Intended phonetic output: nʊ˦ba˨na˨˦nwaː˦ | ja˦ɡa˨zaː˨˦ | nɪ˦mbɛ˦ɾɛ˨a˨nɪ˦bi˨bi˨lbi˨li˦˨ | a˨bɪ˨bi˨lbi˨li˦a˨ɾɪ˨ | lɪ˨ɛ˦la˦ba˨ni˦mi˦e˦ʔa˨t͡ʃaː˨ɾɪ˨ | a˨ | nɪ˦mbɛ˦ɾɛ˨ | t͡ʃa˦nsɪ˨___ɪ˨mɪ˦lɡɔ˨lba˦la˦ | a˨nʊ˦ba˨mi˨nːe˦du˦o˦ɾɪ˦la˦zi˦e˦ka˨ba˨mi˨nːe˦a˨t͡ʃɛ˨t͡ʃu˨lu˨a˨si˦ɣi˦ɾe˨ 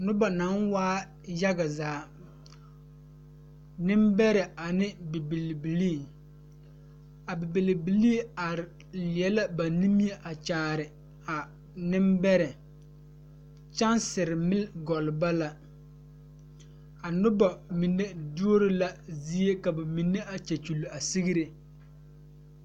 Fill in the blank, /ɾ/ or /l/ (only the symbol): ɾ